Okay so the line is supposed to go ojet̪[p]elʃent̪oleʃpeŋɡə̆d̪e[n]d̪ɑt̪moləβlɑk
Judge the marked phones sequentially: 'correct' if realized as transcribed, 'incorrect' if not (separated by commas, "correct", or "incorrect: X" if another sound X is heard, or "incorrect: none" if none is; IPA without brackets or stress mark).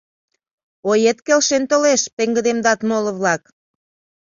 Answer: incorrect: k, incorrect: m